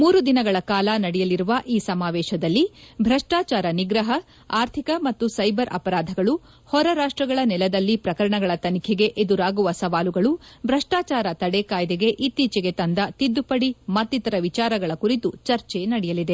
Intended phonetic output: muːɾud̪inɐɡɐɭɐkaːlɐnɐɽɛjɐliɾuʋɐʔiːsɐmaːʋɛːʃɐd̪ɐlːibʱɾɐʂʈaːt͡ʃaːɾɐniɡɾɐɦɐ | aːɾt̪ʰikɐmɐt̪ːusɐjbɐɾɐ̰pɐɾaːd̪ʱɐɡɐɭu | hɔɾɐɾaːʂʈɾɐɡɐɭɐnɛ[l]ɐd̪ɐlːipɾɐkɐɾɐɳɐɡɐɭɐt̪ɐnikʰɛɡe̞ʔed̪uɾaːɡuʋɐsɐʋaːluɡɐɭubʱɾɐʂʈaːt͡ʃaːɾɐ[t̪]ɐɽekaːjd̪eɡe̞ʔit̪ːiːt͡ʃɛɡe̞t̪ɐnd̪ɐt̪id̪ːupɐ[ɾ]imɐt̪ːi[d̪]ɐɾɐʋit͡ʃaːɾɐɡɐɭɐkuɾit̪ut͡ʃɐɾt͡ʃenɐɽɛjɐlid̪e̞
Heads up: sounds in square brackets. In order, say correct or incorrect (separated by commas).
correct, correct, incorrect, incorrect